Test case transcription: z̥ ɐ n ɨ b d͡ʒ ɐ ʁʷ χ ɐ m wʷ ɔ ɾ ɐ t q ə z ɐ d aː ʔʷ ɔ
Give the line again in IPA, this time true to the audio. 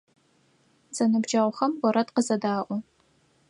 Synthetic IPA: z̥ ɐ n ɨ b d͡ʒ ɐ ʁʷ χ ɐ m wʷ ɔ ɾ ɐ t q ə z ɐ d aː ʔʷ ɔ